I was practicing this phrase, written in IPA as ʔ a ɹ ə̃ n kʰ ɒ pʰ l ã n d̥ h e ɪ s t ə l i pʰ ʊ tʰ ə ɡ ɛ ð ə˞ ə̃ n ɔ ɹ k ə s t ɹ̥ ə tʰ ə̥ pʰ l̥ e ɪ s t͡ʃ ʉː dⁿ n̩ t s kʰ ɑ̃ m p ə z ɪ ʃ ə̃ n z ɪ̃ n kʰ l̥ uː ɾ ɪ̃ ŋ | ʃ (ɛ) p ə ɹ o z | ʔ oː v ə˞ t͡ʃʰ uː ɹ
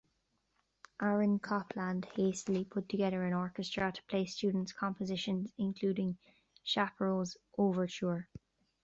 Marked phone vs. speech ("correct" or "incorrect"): incorrect